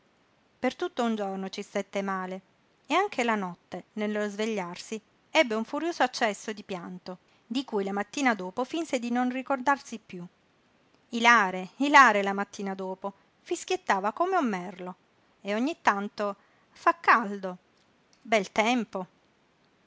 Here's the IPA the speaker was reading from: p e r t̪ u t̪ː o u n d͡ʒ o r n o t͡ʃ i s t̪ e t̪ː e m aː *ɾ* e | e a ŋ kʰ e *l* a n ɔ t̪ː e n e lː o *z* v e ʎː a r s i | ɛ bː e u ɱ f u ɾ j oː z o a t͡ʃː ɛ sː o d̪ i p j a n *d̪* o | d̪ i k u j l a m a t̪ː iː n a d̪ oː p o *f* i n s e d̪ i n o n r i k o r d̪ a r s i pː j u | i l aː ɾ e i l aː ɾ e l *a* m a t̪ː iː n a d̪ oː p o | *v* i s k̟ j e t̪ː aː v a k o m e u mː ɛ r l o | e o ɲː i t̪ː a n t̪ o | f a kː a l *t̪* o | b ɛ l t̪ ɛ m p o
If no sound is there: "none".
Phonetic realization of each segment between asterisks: l, l, z, t̪, f, a, f, d̪

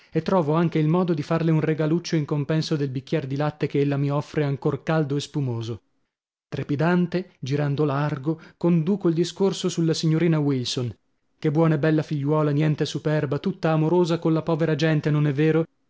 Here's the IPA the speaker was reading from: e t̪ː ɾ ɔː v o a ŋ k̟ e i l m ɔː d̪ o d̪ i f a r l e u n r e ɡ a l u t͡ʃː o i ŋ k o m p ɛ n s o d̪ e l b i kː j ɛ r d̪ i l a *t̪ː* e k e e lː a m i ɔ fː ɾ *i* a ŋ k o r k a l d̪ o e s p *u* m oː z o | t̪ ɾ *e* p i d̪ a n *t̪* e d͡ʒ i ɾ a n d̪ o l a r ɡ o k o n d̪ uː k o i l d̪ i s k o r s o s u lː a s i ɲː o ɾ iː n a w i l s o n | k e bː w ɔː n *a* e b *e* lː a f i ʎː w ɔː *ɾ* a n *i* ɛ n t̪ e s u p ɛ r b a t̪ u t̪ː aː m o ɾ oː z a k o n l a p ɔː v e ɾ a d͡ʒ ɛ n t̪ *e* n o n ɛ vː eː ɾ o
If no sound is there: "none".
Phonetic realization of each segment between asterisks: t̪ː, e, u, e, t̪, a, ɛ, l, j, e

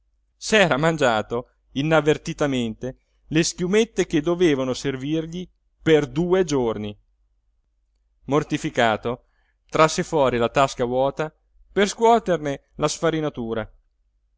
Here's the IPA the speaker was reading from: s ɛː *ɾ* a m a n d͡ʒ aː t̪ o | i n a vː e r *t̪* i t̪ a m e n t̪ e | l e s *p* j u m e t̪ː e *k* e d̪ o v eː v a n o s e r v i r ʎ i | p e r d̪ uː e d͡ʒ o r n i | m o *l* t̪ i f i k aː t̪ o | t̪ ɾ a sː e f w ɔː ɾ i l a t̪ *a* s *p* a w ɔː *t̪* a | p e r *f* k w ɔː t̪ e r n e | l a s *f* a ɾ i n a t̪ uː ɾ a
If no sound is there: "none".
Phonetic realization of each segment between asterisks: ɾ, t̪, k, k, r, a, k, t̪, s, f

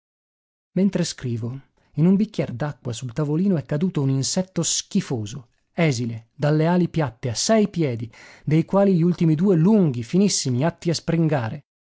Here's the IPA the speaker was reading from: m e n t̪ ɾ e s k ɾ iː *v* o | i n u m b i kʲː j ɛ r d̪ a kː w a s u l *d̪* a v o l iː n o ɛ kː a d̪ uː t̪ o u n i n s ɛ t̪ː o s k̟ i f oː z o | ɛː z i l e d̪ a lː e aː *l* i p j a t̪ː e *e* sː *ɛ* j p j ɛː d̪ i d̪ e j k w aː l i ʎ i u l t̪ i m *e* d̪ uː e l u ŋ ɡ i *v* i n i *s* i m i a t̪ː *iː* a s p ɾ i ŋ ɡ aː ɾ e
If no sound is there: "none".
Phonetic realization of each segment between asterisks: v, t̪, l, a, ɛ, i, f, sː, i

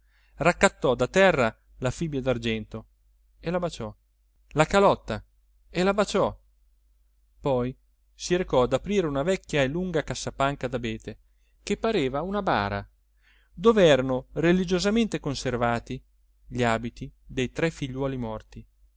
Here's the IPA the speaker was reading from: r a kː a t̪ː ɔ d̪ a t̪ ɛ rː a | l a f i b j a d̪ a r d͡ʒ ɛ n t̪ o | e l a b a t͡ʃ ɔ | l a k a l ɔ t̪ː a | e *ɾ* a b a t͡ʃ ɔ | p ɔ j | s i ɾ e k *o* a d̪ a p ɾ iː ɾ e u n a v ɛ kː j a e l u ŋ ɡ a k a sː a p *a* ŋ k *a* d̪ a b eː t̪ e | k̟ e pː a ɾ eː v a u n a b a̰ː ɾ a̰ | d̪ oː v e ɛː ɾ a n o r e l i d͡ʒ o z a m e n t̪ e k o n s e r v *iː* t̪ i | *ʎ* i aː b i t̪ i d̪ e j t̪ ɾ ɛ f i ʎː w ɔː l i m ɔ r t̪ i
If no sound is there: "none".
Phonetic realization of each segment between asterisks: l, ɔ, a, a, aː, ʎ

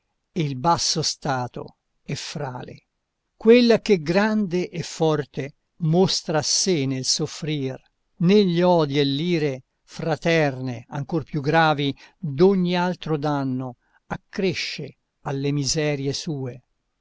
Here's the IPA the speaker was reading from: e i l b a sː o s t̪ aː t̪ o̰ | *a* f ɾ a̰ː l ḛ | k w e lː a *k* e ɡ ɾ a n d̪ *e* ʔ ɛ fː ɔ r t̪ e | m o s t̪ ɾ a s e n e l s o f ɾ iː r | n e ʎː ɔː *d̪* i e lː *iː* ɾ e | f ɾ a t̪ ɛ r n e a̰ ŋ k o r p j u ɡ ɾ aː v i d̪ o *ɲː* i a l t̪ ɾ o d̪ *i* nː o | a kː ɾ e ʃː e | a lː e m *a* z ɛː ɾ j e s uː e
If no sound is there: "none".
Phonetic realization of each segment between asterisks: ɛ, k, e, d̪, iː, ɲː, a, i

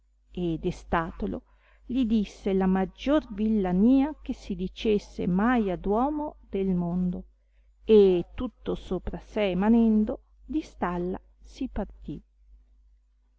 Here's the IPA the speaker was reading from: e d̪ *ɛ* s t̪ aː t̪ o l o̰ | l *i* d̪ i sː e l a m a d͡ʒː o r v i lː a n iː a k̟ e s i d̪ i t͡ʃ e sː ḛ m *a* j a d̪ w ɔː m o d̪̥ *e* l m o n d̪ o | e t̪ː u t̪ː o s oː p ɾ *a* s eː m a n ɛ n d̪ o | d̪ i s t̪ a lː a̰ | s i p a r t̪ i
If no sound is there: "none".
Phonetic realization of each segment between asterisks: e, i, a, e, a

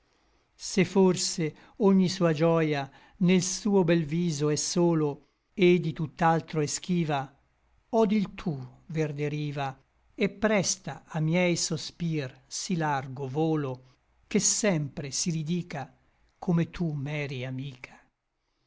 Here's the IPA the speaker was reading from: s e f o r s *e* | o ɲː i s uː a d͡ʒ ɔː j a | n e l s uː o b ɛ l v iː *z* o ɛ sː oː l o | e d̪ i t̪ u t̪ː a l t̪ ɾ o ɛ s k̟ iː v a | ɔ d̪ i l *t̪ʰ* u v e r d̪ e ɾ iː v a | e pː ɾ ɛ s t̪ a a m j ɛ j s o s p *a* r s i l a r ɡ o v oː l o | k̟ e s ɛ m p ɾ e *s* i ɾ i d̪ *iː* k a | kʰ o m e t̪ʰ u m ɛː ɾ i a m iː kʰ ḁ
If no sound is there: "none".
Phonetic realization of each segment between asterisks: e, z, t̪ʰ, i, s, iː

